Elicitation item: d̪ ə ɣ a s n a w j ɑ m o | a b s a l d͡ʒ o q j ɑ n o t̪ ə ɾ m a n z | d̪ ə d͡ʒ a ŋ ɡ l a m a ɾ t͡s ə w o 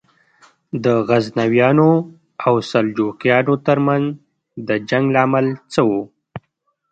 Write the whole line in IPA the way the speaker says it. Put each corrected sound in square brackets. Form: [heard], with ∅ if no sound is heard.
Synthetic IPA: d̪ ə ɣ a [z] n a w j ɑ [n] o | a [w] s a l d͡ʒ o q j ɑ n o t̪ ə ɾ m a n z | d̪ ə d͡ʒ a ŋ ɡ l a m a [l] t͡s ə w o

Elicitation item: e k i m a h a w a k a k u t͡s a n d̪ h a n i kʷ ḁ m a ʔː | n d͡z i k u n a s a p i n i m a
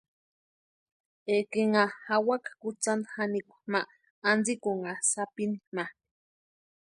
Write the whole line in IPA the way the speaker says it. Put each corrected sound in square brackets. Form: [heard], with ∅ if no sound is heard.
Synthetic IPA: e k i [ŋ] a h a w a k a k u t͡s a n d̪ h a n i kʷ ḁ m a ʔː | n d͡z i k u [ŋ] a s a p i n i m a

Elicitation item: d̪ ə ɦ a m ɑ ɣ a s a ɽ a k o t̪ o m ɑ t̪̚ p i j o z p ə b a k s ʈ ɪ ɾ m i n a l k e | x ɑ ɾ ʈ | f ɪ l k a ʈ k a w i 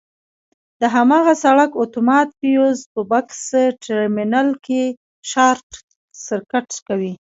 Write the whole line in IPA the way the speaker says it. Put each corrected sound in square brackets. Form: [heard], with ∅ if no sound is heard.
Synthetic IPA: d̪ ə ɦ a m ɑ ɣ a s a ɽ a k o t̪ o m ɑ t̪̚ p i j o z p ə b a k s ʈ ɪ ɾ m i n a l k e | [ʃ] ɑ ɾ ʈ | [s] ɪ [ɾ] k a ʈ k a w i

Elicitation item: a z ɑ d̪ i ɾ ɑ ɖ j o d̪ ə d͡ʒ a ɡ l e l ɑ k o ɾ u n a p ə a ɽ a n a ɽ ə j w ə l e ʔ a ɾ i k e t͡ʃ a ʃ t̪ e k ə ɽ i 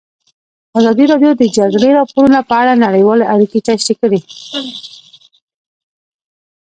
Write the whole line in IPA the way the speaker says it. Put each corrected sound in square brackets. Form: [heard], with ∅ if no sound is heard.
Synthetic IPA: a z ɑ d̪ i ɾ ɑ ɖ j o d̪ ə d͡ʒ a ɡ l e [ɾ] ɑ [p] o ɾ u n a p ə a ɽ a n a ɽ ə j w [ɑ] l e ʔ a ɾ i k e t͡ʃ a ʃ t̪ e k ə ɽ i

